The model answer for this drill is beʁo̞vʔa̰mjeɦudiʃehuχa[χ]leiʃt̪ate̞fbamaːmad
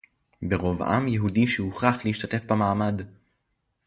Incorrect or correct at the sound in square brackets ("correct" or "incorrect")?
correct